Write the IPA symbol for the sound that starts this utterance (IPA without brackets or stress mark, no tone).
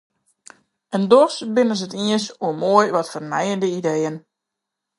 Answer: ə